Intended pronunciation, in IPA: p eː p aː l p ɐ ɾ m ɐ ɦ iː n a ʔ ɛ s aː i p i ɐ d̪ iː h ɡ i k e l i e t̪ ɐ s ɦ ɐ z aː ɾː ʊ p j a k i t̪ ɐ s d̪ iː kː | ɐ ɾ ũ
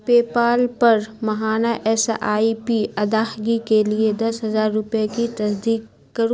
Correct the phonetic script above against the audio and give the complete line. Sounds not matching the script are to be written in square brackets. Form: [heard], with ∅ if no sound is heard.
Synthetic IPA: p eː p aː l p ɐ ɾ m ɐ ɦ [aː] n a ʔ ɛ s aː i p i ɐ d̪ [aː] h ɡ i k e l i e [d̪] ɐ s ɦ ɐ z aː ɾː ʊ p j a k i t̪ ɐ s d̪ iː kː | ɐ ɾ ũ